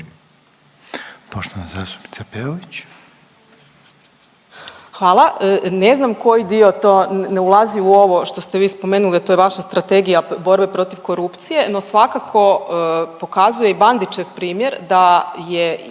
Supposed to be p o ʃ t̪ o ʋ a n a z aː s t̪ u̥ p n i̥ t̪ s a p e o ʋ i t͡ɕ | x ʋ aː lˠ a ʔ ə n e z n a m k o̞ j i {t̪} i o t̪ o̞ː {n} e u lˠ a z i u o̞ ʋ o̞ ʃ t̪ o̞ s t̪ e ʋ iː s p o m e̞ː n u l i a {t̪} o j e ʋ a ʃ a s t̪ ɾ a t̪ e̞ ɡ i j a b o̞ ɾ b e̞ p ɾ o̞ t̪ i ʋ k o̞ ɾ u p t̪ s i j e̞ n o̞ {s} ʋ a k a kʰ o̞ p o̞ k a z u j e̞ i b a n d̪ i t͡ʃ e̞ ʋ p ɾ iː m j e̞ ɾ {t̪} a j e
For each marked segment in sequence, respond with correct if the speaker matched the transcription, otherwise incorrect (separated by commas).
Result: incorrect, correct, correct, correct, incorrect